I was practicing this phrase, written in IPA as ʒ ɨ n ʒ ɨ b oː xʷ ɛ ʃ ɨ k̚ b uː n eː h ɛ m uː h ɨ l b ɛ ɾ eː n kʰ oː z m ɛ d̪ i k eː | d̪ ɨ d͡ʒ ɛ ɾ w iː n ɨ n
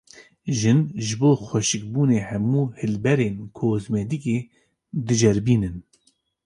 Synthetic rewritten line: ʒ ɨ n ʒ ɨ b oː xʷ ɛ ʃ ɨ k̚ b uː n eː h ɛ m uː h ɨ l b ɛ ɾ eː n kʰ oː z m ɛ d̪ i k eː | d̪ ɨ d͡ʒ ɛ ɾ b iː n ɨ n